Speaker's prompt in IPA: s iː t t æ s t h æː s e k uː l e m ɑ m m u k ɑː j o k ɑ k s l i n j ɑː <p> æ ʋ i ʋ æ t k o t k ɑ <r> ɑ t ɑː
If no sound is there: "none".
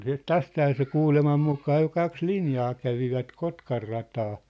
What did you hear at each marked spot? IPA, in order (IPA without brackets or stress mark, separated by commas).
k, rː